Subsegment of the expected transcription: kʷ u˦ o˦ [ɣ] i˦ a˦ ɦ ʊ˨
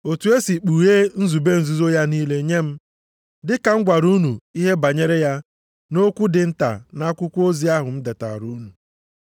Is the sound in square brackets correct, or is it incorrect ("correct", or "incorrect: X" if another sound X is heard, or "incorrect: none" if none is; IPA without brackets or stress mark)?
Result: incorrect: z